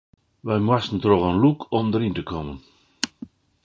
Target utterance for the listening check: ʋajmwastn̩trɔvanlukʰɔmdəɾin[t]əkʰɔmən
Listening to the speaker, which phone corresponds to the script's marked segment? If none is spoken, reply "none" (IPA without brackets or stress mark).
t